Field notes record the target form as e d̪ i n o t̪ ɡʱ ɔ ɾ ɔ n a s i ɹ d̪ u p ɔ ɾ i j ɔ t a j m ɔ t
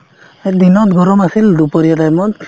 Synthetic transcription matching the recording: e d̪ i n ɔ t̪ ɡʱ ɔ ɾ ɔ m a s i l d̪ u p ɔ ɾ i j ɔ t a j m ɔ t

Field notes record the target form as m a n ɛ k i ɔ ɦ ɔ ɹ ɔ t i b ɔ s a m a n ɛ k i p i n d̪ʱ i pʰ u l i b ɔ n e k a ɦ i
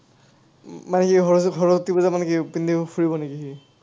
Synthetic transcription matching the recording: m a n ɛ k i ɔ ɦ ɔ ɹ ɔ t i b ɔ z a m a n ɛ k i p i n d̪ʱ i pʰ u ɹ i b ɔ n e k i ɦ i

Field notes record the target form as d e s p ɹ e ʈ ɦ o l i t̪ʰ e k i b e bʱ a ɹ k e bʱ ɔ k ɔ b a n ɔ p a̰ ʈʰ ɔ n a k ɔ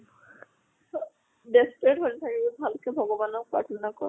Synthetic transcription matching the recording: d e s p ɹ e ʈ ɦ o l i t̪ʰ a k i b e bʱ a l k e bʱ ɔ ɡ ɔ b a n ɔ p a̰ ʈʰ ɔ n a k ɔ

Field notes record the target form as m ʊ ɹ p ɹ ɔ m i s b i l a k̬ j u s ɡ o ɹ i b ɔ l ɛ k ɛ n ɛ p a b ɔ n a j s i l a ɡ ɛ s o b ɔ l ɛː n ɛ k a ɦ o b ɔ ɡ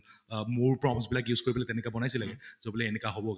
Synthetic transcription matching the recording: m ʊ ɹ p ɹ ɔ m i s b i l a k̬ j u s k o ɹ i b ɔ l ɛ t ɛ n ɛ k a b ɔ n a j s i l a ɡ ɛ z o b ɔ l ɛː n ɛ k a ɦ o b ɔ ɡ

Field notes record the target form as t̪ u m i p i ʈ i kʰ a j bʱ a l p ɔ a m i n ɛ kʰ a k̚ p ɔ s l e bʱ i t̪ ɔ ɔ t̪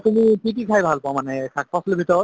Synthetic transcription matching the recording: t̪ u m i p i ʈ i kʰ a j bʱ a l p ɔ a m a n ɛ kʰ a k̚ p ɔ s l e bʱ i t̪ ɔ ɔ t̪

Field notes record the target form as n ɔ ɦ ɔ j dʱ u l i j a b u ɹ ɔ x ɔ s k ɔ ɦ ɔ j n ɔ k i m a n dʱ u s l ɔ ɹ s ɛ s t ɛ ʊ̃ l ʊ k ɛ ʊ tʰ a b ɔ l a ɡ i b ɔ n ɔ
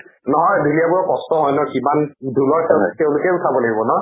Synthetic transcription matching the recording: n ɔ ɦ ɔ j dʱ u l i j a b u ɹ ɔ k ɔ s t ɔ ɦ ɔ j n ɔ k i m a n dʱ u l ɔ ɹ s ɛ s t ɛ ʊ̃ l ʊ k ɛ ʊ tʰ a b ɔ l a ɡ i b ɔ n ɔ

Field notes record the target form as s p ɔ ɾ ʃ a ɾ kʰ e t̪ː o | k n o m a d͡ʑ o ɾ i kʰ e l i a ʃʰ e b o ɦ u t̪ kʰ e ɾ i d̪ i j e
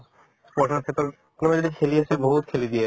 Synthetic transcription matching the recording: s p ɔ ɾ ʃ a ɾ kʰ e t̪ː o | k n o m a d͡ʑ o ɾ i kʰ e l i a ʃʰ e b o ɦ u t̪ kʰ e l i d̪ i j e

